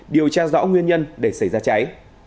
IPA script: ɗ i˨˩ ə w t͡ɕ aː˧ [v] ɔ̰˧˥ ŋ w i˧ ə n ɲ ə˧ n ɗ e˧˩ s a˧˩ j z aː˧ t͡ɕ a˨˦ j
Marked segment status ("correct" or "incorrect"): incorrect